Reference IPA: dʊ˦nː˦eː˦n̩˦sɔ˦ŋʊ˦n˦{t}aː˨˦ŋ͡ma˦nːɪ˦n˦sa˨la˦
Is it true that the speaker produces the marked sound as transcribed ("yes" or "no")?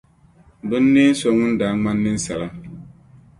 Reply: no